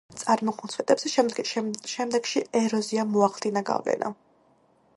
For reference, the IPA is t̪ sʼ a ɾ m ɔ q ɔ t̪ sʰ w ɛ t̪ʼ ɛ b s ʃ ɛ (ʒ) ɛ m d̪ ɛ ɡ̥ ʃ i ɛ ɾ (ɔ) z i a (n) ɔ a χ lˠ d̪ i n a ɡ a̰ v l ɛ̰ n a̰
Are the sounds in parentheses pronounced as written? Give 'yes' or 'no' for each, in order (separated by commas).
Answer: no, yes, no